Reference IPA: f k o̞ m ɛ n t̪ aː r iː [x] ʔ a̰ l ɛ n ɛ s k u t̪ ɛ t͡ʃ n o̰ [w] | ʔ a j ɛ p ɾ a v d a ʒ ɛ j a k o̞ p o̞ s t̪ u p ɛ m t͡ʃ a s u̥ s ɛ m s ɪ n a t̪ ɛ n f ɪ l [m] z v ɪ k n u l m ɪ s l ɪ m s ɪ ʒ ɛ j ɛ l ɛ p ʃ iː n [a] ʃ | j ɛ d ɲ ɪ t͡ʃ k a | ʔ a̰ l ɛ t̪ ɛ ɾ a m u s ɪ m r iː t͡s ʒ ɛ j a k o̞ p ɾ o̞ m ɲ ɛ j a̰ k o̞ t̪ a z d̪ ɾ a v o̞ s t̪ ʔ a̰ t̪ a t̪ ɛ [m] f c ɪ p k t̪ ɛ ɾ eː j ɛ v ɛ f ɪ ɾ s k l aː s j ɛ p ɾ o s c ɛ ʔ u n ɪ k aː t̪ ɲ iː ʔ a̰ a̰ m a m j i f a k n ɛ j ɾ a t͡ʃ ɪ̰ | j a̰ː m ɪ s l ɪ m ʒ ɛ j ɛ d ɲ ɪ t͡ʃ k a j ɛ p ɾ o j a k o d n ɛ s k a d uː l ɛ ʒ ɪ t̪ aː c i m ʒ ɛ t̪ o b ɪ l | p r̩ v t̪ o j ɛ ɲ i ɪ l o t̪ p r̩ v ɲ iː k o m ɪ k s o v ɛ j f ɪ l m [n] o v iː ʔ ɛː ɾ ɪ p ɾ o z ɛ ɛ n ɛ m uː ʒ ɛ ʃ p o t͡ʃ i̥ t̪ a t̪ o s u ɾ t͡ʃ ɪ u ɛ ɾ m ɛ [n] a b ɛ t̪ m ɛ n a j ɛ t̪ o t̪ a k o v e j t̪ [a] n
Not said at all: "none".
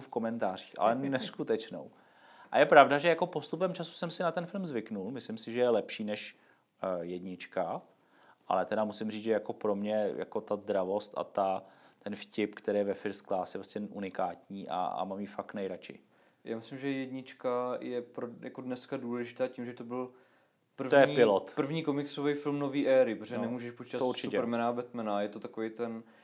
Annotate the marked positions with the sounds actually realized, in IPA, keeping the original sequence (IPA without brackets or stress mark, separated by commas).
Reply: x, w, m, ɛ, n, n, n, ɛ